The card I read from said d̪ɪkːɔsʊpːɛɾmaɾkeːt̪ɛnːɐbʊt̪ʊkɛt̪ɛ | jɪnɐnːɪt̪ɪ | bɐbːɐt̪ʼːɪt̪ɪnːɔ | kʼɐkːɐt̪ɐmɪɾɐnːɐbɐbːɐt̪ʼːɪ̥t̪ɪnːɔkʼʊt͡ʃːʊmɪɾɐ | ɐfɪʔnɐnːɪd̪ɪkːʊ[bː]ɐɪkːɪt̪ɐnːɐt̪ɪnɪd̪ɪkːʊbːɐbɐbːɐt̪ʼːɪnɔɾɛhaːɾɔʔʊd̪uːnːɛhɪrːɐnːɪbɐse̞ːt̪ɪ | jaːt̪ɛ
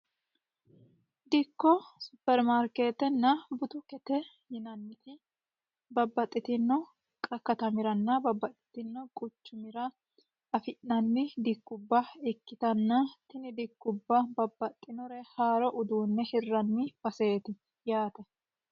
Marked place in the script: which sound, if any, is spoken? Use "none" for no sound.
bː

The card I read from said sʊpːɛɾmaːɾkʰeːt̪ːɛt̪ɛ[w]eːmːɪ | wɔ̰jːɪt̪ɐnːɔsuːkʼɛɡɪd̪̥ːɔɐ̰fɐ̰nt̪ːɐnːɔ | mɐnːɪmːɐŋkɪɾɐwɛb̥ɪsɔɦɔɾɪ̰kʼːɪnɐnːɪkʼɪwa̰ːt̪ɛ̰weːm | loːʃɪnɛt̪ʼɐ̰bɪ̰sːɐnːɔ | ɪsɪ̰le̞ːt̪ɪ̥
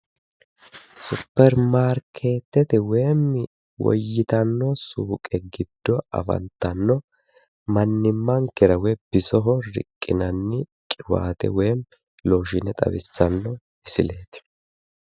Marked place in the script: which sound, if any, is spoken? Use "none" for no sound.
w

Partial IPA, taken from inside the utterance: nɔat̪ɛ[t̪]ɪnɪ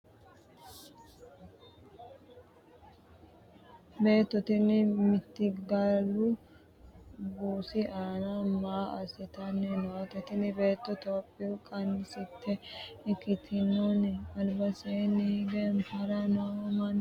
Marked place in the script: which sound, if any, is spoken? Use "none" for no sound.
t̪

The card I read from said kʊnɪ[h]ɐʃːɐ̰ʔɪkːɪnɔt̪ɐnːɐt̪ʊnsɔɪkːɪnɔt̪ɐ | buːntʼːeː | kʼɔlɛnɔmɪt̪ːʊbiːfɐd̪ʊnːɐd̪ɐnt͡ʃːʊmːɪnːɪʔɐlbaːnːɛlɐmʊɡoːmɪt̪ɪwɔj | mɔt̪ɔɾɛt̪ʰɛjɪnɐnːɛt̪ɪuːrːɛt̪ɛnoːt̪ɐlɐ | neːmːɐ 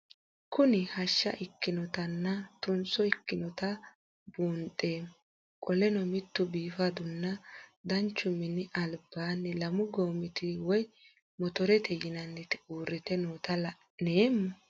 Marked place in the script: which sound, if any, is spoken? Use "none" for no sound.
h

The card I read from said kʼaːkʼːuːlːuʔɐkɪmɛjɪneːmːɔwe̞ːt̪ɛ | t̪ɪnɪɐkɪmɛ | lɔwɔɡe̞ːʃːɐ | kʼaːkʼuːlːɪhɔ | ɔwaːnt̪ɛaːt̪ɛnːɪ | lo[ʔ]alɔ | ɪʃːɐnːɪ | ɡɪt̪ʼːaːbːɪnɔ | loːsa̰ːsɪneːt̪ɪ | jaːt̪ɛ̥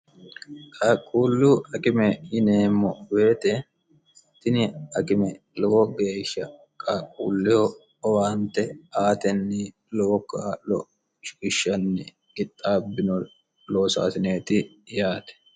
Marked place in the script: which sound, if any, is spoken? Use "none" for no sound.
k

